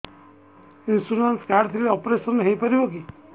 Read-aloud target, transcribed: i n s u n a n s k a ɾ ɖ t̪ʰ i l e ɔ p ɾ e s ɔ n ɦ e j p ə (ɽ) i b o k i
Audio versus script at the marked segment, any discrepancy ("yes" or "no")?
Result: yes